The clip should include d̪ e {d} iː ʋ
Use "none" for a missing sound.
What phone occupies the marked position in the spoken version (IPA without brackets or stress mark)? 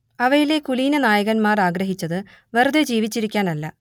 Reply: d͡ʑ